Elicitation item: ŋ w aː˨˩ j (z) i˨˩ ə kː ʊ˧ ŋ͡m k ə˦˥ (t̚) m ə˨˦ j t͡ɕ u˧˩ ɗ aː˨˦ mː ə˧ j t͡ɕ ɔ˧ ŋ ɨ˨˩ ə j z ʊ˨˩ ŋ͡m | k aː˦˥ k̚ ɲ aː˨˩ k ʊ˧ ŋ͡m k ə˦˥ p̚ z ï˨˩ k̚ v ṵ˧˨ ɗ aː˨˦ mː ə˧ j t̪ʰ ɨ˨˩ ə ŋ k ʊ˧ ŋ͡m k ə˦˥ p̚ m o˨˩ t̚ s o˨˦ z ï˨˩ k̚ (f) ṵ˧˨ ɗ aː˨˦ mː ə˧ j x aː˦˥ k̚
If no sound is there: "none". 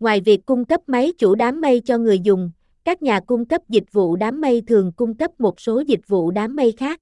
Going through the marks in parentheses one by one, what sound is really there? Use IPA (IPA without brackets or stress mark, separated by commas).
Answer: v, p̚, v